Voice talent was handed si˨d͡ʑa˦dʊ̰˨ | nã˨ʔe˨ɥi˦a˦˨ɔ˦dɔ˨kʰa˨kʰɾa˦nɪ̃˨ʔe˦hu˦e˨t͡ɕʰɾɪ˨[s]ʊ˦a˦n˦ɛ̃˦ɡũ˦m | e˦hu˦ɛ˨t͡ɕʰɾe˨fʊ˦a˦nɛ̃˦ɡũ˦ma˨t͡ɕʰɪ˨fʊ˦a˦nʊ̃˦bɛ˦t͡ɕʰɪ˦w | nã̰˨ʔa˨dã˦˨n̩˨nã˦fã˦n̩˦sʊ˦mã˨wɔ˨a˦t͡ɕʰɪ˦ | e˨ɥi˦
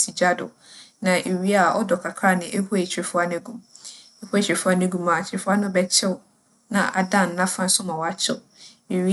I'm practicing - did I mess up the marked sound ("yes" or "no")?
yes